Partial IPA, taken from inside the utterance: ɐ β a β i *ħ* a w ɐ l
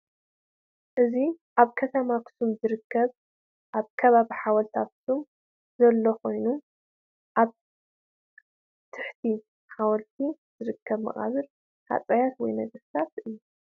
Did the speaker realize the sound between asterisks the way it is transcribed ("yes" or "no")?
yes